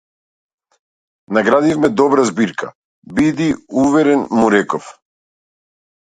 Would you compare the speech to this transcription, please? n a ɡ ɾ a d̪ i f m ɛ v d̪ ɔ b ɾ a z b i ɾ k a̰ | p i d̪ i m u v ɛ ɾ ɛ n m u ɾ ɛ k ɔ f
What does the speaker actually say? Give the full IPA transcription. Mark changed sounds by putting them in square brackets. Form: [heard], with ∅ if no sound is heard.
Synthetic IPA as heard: n a ɡ ɾ a d̪ i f m ɛ [∅] d̪ ɔ b ɾ a z b i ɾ k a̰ | [b] i d̪ i [∅] u v ɛ ɾ ɛ n m u ɾ ɛ k ɔ f